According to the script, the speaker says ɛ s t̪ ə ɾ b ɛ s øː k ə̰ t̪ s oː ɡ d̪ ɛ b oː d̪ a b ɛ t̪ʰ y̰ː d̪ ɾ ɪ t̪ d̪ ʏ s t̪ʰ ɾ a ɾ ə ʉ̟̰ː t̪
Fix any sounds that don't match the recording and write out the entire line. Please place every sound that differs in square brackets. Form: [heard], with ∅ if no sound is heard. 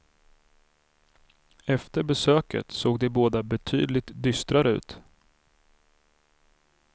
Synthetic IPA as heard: ɛ [f] t̪ ə ɾ b ɛ s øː k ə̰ t̪ s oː ɡ d̪ ɛ b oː d̪ a b ɛ t̪ʰ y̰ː d̪ [l] ɪ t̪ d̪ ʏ s [t̪] ɾ a ɾ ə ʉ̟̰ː t̪